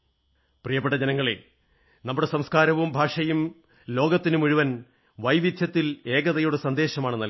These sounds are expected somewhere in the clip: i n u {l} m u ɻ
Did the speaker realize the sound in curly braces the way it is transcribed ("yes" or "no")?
no